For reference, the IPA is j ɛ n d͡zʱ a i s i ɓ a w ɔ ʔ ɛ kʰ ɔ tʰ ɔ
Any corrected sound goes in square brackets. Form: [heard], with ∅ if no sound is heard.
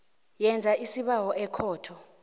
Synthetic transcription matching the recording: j ɛ n d͡zʱ a i s i ɓ a w ɔ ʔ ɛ kʰ [ɔː] tʰ ɔ

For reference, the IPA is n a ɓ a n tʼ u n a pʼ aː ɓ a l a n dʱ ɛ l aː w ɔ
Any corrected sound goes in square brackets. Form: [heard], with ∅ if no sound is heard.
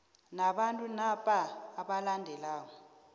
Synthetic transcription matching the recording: n a ɓ a n tʼ u n a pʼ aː ɓ a l a n dʱ ɛ l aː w ɔ

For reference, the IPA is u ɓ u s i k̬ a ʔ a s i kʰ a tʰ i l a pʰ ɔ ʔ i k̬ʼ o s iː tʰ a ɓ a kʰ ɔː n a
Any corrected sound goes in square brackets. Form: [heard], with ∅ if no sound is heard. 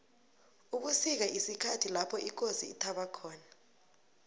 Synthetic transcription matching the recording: u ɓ u s i k̬ a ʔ [i] s i kʰ a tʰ i l a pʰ ɔ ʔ i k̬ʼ o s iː tʰ a ɓ a kʰ ɔː n a

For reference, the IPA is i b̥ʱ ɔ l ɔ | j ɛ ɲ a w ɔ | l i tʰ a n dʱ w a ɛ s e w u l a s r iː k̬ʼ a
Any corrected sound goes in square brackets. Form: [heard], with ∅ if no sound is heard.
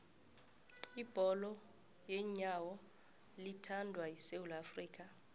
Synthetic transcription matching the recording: i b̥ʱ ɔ l ɔ | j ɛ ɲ a w ɔ | l i tʰ a n dʱ w a [i] s e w u l a [f] r iː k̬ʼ a

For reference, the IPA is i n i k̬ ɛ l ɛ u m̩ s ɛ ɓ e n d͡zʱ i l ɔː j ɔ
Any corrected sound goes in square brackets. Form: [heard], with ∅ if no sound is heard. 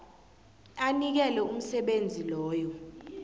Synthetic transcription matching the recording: [a] n i k̬ ɛ l ɛ u m̩ s ɛ ɓ e n d͡zʱ i l ɔː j ɔ

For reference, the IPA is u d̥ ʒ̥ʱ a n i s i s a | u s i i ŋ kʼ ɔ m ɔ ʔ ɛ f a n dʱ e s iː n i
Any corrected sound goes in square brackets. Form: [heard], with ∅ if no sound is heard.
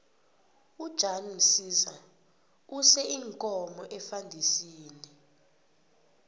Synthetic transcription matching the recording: u d̥ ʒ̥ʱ a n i s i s a | u s [ɛ] i ŋ kʼ ɔ m ɔ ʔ ɛ f a n dʱ [i] s iː n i

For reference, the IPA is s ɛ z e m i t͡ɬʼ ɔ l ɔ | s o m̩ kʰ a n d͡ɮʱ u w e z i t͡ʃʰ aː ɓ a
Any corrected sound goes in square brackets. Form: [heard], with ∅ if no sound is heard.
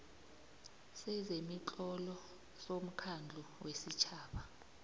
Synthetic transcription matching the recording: s ɛ z e m i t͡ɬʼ ɔ l ɔ | s o m̩ kʰ a n d͡ɮʱ u w e [s] i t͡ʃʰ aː ɓ a

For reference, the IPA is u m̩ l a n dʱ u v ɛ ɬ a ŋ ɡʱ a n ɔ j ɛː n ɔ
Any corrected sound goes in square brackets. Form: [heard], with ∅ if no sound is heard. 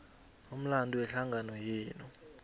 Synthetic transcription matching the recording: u m̩ l a n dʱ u [w] ɛ ɬ a ŋ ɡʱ a n ɔ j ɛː n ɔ

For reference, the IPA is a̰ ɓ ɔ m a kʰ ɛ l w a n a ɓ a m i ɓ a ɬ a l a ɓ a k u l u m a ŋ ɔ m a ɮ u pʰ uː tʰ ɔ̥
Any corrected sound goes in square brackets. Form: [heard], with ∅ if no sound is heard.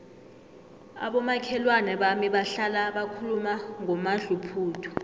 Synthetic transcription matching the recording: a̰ ɓ ɔ m a kʰ ɛ l w a n [ɛ] ɓ a m i ɓ a ɬ a l a ɓ a [kʰ] u l u m a ŋ ɔ m a ɮ u pʰ uː tʰ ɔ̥

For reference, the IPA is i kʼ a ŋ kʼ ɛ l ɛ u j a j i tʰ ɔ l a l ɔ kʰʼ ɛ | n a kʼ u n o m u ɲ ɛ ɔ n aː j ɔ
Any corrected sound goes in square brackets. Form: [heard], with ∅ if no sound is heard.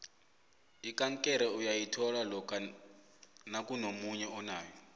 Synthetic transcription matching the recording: i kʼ a ŋ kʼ ɛ [ɾ] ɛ u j a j i tʰ ɔ l a l ɔ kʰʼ [a] | n a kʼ u n o m u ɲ ɛ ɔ n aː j ɔ

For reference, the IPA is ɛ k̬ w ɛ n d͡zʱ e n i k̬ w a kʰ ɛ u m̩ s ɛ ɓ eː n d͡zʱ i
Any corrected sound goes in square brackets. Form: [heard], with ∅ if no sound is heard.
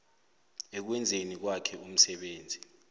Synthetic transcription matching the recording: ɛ k̬ w ɛ n d͡zʱ e n i k̬ w a kʰ ɛ u m̩ s ɛ ɓ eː n d͡zʱ i

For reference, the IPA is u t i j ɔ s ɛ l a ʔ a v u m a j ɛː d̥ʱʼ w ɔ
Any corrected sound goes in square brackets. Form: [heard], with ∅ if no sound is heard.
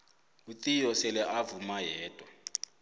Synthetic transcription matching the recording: u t i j ɔ s ɛ l [ɛ] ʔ a v u m a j ɛː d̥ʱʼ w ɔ

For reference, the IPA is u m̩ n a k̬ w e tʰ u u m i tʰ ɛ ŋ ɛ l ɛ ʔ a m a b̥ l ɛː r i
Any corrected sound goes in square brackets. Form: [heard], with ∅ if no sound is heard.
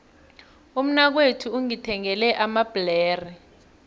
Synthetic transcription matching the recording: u m̩ n a k̬ w e tʰ u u [ŋ] i tʰ ɛ ŋ ɛ l ɛ ʔ a m a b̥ l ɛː r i

